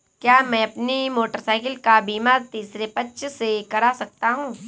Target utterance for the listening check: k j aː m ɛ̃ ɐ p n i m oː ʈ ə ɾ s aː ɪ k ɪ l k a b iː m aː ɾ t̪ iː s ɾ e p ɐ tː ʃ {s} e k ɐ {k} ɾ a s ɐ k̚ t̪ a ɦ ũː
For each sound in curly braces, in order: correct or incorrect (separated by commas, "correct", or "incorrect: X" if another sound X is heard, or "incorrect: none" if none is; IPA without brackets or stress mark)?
correct, incorrect: none